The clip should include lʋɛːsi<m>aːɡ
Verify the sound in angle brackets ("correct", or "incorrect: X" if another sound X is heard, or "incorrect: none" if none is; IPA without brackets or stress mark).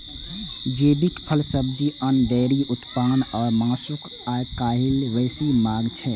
correct